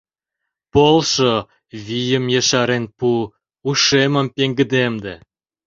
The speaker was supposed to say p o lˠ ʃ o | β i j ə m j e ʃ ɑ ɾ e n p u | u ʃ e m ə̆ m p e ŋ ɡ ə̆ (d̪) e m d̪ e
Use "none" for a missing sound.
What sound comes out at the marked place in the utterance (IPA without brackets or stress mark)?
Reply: d̪